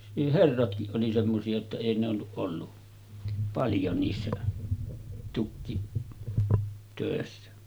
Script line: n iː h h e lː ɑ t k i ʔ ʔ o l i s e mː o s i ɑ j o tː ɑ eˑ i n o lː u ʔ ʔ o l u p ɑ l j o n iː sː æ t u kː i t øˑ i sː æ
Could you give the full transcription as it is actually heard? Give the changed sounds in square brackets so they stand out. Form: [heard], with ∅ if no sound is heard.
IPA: n iː h h e [rː] ɑ t k i ʔ ʔ o l i s e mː o s i ɑ j o tː ɑ eˑ i n o lː u ʔ ʔ o [lː] u p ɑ l j o n iː sː æ t u kː i t øˑ [e] sː æ

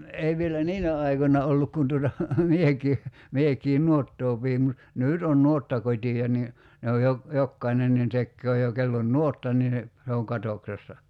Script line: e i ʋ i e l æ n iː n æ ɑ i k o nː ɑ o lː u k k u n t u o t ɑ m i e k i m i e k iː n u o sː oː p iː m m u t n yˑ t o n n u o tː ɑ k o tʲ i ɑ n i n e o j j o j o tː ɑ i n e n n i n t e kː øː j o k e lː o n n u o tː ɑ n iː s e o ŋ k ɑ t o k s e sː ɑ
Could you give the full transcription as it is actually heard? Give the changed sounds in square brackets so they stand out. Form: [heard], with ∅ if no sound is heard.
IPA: e i ʋ i e l æ n iː n æ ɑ i k o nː ɑ o lː u k k u n t u o t ɑ m i e k i m i e k iː n u o [tː] oː p iː m m u t n yˑ t o n n u o tː ɑ k o tʲ i ɑ n i n e o j j o j o [kː] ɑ i n e n n i n t e kː øː j o k e lː o n n u o tː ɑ n iː s e o ŋ k ɑ t o k s e sː ɑ

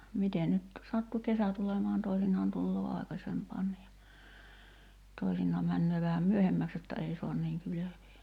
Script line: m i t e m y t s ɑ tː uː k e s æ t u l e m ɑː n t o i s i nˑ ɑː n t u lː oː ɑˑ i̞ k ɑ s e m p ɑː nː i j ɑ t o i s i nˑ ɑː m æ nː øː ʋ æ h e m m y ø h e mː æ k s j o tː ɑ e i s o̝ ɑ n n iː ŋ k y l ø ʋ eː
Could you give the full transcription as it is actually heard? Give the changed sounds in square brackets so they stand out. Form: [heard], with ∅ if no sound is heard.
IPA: m i t e [n] y t s ɑ tː [u] k e s æ t u l e m ɑː n t o i s i nˑ ɑː n t u lː oː ɑˑ i̞ k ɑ s e m p ɑː nː i j ɑ t o i s i nˑ ɑː m æ nː øː ʋ æ h [æ] m m y ø h e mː æ k s j o tː ɑ e i s o̝ ɑ n n iː ŋ k y l ø ʋ eː

